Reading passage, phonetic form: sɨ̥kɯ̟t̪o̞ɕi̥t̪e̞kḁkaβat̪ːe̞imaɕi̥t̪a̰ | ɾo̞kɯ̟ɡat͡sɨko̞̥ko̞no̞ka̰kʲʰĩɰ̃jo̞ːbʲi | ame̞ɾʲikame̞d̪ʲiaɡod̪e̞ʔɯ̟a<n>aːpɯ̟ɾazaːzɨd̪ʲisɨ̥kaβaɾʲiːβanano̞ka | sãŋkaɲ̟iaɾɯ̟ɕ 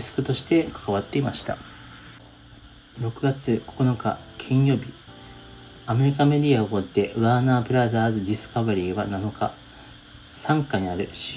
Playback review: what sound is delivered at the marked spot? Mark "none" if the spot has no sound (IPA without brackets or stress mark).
n